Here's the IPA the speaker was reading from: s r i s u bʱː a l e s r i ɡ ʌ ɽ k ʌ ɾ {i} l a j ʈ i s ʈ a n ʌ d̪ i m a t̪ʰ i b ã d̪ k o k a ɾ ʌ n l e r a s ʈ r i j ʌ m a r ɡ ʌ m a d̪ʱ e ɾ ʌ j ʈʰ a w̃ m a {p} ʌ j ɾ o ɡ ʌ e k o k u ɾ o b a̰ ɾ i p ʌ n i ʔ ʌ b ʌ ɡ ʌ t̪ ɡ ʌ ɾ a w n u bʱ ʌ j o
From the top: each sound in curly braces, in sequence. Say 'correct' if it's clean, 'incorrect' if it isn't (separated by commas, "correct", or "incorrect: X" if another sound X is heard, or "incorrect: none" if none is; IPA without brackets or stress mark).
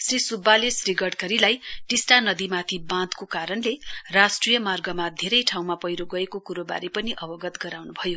correct, correct